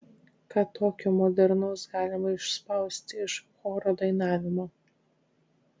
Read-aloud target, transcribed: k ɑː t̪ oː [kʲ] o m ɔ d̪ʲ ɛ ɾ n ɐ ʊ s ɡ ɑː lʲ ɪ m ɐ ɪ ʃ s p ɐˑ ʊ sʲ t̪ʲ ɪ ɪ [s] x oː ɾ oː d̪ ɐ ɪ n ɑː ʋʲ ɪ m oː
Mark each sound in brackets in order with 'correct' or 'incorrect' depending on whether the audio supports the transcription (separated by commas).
correct, incorrect